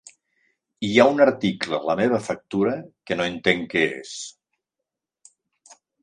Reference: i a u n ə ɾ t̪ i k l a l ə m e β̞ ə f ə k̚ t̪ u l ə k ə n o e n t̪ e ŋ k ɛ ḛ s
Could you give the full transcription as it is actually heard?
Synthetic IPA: i a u n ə ɾ t̪ i k l ə l ə m e β̞ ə f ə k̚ t̪ u ɾ ə k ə n o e n t̪ e ŋ k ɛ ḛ s